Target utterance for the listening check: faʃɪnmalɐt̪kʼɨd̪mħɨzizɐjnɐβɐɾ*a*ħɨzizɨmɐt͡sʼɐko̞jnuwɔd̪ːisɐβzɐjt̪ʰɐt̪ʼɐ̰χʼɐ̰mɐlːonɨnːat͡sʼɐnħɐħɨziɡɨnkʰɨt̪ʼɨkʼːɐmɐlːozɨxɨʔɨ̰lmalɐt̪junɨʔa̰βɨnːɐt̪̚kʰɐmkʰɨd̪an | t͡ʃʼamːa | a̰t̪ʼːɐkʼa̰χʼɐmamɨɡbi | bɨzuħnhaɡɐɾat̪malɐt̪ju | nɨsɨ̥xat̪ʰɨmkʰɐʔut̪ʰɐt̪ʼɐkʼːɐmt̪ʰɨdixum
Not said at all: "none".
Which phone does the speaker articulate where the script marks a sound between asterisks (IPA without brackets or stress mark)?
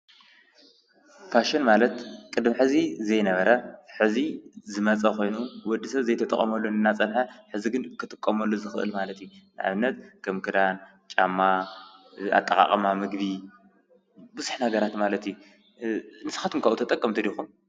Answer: ɐ